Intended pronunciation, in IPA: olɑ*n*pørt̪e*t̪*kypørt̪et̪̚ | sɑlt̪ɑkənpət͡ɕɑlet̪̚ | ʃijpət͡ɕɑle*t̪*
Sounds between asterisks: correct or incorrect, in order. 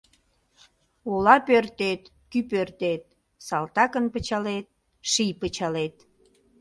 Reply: incorrect: none, correct, correct

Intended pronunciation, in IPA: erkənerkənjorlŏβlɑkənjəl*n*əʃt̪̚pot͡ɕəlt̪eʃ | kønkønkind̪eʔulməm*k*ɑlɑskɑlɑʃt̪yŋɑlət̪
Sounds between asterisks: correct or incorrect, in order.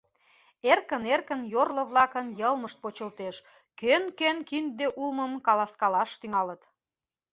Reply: incorrect: m, correct

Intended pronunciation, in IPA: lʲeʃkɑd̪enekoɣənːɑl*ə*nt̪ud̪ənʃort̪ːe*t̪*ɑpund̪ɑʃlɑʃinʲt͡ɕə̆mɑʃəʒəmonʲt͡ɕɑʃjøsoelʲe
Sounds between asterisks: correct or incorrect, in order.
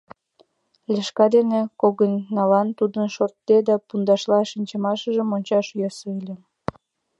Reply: incorrect: ɑ, incorrect: d̪

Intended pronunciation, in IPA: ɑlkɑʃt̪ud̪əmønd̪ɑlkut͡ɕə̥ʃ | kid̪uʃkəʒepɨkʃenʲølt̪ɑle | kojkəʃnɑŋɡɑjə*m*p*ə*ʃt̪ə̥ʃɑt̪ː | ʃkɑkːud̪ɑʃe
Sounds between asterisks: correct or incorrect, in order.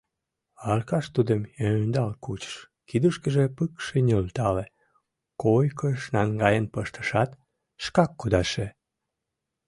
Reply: incorrect: n, correct

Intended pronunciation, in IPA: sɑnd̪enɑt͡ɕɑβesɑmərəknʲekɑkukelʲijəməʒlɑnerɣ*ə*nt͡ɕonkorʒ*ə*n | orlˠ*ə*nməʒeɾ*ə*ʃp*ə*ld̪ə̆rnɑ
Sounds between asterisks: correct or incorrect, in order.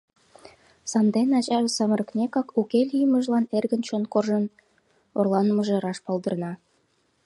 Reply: correct, correct, incorrect: ɑ, incorrect: ɑ, incorrect: ɑ

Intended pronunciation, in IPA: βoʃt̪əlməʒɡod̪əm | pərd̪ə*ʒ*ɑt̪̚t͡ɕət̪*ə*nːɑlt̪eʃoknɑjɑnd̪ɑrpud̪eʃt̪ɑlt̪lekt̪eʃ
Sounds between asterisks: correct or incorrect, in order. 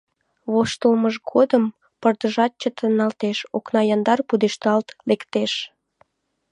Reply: correct, correct

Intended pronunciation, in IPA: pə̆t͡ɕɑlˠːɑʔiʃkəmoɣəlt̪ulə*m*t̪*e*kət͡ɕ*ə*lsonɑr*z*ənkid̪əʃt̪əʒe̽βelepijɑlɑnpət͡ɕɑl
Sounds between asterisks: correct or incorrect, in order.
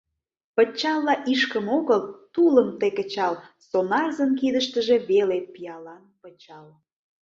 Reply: correct, correct, incorrect: ɑ, correct

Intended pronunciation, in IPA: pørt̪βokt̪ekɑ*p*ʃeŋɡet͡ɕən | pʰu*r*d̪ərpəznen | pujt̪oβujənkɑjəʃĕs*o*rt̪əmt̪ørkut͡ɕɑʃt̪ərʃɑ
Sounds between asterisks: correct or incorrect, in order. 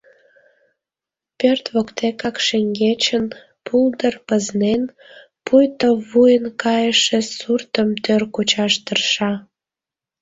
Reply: incorrect: k, incorrect: l, incorrect: u

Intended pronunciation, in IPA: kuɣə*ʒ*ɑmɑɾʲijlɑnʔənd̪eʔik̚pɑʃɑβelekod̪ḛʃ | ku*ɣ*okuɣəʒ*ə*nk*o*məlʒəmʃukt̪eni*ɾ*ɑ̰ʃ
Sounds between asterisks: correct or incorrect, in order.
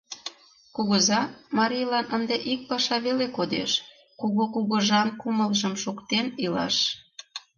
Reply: incorrect: z, correct, incorrect: ɑ, incorrect: u, incorrect: l

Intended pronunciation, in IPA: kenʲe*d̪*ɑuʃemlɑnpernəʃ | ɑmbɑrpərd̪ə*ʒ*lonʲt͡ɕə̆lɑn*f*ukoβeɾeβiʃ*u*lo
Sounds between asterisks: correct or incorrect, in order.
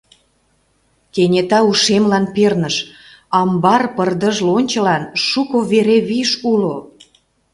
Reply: incorrect: t̪, correct, incorrect: ʃ, correct

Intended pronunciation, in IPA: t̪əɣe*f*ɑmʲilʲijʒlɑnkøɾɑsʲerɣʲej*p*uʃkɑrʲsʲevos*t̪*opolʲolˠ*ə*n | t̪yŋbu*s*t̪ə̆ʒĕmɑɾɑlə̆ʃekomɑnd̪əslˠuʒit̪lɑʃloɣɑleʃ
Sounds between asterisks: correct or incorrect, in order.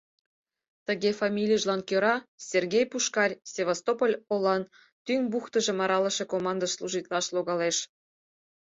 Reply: correct, correct, correct, incorrect: ɑ, incorrect: x

